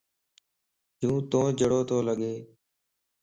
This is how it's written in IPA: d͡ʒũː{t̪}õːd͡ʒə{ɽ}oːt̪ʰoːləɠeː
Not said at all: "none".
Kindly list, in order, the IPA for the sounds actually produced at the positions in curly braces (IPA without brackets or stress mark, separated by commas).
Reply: t̪, ɽ